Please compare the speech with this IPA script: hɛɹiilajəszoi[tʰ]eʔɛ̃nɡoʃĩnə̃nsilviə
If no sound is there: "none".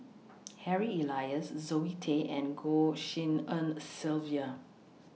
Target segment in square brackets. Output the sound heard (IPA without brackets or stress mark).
tʰ